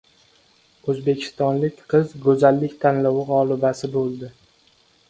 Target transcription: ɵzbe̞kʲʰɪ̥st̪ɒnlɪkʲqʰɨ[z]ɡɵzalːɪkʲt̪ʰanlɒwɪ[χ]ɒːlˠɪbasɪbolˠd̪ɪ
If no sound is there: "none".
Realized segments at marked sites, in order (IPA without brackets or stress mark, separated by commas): z, ʁ